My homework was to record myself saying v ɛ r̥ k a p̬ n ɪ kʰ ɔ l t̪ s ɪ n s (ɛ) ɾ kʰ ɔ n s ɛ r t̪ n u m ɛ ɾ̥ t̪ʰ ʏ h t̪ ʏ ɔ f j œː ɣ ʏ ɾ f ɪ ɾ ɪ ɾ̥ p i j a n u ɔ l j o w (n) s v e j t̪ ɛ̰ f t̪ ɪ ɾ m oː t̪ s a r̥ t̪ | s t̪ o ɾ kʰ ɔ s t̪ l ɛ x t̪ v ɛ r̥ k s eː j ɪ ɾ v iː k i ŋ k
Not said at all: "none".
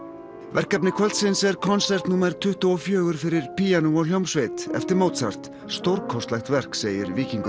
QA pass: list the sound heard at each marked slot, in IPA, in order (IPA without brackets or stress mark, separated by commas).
ɛ, m